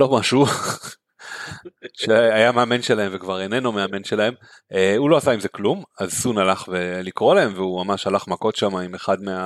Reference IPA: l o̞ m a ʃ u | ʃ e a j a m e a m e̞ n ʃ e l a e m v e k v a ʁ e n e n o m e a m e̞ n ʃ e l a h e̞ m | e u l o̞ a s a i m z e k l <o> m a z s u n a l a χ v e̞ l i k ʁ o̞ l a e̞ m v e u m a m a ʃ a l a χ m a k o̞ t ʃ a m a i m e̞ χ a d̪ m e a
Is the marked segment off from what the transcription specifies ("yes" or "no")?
yes